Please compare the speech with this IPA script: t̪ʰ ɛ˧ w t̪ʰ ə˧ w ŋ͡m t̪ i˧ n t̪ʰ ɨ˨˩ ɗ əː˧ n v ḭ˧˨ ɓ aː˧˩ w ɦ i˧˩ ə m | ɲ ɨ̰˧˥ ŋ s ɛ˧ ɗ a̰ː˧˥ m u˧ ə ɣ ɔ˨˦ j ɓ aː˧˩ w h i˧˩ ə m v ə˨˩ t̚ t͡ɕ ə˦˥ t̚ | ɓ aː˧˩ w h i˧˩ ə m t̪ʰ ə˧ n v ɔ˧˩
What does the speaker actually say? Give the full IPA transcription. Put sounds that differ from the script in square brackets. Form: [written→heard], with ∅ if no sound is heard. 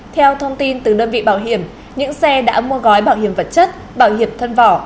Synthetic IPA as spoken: t̪ʰ ɛ˧ w t̪ʰ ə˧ w ŋ͡m t̪ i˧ n [t̪ʰ→t̪] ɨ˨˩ ɗ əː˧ n v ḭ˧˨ ɓ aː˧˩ w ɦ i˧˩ ə m | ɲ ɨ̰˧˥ ŋ s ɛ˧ ɗ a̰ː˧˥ m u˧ ə ɣ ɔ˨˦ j ɓ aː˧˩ w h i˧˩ ə m v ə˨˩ t̚ t͡ɕ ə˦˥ t̚ | ɓ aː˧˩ w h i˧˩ ə m t̪ʰ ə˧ n v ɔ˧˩